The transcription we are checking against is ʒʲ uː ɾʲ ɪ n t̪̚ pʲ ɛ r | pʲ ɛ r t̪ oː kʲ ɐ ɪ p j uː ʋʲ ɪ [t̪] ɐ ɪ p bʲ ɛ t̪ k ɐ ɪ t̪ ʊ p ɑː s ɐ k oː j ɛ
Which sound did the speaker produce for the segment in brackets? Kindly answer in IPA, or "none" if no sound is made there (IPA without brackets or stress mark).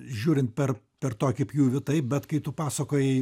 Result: t̪